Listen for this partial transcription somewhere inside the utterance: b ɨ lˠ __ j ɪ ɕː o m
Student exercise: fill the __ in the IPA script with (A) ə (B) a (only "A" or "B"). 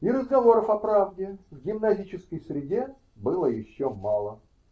A